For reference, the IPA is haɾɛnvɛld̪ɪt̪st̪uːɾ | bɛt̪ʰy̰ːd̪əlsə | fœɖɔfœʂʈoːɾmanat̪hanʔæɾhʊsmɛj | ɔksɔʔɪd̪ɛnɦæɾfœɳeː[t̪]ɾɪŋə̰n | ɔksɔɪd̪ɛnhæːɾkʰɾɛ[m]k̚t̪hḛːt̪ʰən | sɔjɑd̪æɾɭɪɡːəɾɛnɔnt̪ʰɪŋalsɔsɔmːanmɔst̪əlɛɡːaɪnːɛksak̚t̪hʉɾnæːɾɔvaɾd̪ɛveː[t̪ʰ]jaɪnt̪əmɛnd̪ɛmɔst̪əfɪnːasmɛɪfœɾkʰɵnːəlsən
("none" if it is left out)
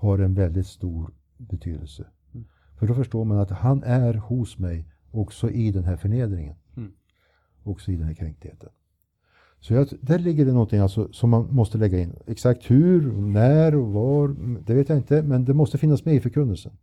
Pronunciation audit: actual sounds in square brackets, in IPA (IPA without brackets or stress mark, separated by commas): d̪, ŋ, t̪